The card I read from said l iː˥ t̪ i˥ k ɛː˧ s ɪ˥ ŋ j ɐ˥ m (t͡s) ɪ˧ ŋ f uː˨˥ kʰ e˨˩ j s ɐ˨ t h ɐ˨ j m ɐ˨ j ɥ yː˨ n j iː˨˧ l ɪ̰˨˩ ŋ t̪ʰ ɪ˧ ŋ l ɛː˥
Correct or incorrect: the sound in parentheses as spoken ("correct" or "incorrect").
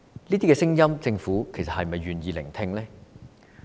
correct